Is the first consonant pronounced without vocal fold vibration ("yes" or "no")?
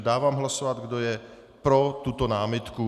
no